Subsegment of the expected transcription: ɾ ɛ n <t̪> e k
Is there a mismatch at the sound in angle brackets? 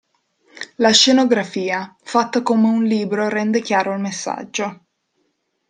yes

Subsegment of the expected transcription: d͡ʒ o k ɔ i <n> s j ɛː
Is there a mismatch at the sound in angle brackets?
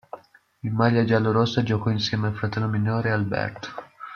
no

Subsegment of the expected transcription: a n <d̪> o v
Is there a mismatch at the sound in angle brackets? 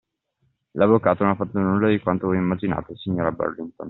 yes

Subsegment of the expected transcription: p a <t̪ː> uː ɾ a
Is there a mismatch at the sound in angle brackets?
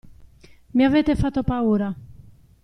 yes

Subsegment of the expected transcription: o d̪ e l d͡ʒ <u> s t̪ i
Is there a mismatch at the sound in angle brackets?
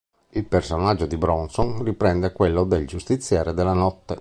no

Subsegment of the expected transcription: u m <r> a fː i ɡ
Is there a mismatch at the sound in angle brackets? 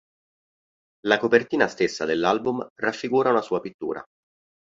no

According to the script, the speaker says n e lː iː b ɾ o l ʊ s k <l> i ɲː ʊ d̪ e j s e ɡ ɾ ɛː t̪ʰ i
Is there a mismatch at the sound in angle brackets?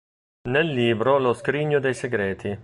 yes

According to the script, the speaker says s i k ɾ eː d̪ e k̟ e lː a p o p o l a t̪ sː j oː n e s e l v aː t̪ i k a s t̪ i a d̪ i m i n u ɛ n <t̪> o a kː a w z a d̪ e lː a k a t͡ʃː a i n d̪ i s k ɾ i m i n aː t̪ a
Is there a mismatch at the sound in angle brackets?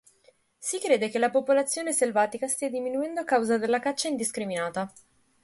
yes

